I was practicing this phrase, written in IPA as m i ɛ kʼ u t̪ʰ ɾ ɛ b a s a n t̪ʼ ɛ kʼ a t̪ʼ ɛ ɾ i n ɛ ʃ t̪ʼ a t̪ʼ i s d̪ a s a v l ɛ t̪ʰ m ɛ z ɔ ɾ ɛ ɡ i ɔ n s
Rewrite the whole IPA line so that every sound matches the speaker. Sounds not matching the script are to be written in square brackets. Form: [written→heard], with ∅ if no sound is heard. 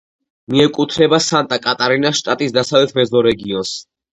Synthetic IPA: m i ɛ kʼ u t̪ʰ ɾ ɛ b a s a n t̪ʼ [ɛ→a] kʼ a t̪ʼ [ɛ→a] ɾ i n [ɛ→a] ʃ t̪ʼ a t̪ʼ i s d̪ a s a v l ɛ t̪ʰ m ɛ z ɔ ɾ ɛ ɡ i ɔ n s